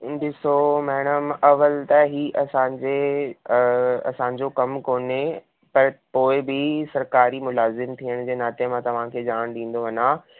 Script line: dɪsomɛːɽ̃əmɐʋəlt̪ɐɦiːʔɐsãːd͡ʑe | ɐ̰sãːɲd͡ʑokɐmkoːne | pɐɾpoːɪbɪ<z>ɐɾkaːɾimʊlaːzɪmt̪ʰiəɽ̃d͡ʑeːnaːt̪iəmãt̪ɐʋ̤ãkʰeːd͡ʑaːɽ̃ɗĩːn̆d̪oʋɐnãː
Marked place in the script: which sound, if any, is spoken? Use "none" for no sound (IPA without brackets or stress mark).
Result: s